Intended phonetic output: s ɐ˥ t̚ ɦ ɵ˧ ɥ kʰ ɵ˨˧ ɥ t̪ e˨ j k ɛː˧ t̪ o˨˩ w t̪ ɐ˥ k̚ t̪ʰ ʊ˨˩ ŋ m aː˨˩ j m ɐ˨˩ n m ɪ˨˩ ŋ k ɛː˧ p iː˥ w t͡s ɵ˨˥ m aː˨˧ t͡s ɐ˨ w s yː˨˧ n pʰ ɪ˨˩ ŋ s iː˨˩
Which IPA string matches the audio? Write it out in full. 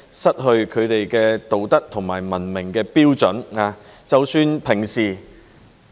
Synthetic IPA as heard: s ɐ˥ t̚ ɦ ɵ˧ ɥ kʰ ɵ˨˧ ɥ t̪ e˨ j k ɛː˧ t̪ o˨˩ w t̪ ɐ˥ k̚ t̪ʰ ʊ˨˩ ŋ m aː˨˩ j m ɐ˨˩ n m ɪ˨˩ ŋ k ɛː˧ p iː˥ w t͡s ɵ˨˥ n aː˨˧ t͡s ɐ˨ w s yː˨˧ n pʰ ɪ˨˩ ŋ s iː˨˩